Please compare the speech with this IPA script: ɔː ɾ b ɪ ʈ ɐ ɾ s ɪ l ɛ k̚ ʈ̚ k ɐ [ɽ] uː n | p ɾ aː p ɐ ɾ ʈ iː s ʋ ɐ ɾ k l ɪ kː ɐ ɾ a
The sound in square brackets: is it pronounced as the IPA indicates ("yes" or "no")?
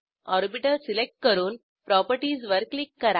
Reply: no